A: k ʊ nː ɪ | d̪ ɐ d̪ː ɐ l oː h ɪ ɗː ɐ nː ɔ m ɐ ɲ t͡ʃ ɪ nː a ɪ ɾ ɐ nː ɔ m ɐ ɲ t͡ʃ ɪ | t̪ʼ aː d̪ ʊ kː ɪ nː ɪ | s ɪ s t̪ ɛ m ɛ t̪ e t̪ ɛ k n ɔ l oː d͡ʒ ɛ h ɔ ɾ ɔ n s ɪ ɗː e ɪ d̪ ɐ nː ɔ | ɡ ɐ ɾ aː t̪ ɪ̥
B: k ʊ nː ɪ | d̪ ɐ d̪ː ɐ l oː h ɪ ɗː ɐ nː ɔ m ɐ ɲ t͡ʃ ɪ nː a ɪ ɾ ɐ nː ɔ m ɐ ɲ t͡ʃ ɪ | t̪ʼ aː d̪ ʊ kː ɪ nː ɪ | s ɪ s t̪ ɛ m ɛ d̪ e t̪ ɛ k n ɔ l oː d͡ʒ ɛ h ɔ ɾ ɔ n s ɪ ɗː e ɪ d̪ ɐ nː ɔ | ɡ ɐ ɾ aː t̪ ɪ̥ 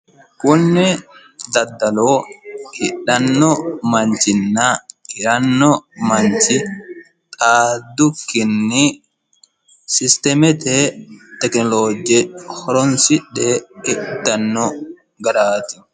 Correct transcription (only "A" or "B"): A